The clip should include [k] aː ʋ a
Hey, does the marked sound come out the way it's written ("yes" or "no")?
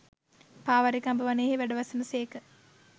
no